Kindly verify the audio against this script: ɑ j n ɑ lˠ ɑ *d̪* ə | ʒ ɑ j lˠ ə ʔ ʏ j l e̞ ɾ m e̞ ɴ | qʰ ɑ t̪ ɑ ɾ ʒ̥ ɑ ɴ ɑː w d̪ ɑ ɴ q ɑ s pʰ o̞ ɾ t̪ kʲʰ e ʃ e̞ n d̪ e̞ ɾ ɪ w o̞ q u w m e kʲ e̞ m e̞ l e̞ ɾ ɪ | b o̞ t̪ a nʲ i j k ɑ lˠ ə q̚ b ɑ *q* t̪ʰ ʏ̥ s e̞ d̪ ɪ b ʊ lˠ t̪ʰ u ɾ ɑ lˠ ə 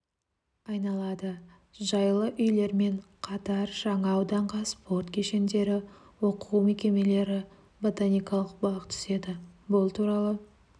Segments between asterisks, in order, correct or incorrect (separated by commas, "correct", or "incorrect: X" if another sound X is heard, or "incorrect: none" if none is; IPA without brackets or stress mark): correct, correct